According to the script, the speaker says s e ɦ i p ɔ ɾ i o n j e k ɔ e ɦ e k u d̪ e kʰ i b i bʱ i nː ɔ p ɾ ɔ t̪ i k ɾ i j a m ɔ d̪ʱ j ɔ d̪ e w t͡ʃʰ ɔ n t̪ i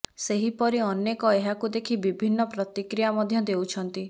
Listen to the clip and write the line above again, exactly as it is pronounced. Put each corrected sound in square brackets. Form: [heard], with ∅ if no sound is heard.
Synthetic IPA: s e ɦ i p ɔ ɾ i [ɔ] n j e k ɔ e ɦ [a] k u d̪ e kʰ i b i bʱ i nː ɔ p ɾ ɔ t̪ i k ɾ i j a m ɔ d̪ʱ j ɔ d̪ e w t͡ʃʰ ɔ n t̪ i